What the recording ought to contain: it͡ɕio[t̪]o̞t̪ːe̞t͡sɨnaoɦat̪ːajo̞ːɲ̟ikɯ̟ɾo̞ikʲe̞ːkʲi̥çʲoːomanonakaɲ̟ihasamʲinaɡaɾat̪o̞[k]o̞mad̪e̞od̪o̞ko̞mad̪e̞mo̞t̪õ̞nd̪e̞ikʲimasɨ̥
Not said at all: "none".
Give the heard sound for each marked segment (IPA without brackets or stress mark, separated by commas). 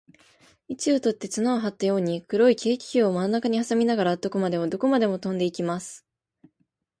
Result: t̪, k